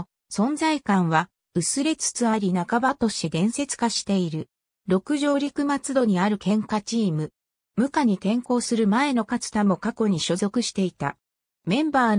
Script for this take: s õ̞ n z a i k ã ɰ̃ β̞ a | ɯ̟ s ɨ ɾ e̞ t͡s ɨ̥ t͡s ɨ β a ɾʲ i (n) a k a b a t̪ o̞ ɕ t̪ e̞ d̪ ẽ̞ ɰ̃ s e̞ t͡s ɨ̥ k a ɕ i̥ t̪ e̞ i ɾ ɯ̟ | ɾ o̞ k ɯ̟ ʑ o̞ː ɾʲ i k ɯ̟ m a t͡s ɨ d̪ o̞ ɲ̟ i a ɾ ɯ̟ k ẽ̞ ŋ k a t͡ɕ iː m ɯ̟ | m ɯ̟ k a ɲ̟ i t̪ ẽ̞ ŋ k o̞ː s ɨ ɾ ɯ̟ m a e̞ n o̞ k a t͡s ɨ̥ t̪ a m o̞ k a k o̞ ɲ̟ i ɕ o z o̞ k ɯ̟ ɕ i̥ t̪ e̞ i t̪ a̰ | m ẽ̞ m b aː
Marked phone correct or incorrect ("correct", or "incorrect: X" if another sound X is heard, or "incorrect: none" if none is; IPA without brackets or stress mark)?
correct